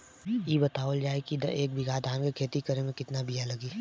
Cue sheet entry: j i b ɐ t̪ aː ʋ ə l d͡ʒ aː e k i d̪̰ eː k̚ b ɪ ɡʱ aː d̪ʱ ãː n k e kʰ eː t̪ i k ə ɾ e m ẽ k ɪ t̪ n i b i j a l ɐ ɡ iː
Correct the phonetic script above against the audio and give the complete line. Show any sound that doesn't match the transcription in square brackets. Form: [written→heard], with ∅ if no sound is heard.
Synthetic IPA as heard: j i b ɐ t̪ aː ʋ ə l d͡ʒ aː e k i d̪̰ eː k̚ b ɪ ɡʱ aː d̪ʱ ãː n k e kʰ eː t̪ i k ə ɾ e m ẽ k ɪ t̪ n [i→a] b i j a l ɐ ɡ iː